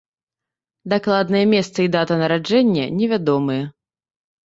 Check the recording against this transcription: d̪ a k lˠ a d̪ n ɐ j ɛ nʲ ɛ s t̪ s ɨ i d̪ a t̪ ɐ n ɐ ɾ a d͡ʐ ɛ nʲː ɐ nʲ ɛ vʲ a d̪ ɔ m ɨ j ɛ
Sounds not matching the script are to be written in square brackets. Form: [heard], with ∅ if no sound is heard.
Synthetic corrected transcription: d̪ a k lˠ a d̪ n ɐ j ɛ [mʲ] ɛ s t̪ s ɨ i d̪ a t̪ ɐ n ɐ ɾ a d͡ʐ ɛ nʲː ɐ nʲ ɛ vʲ a d̪ ɔ m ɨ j ɛ